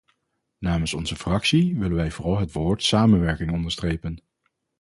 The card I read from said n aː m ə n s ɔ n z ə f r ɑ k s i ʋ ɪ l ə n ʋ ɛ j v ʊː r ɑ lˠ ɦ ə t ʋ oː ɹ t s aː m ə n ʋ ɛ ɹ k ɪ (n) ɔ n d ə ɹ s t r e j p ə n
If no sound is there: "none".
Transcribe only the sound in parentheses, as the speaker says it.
ŋ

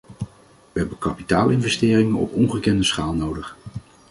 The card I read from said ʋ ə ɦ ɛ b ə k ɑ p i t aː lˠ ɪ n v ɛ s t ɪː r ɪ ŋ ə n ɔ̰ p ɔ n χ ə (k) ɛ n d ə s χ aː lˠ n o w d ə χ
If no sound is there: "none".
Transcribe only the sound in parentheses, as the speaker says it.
k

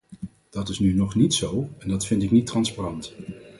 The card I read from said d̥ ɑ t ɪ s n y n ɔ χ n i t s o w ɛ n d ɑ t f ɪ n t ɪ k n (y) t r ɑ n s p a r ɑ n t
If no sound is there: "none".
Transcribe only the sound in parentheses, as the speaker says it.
i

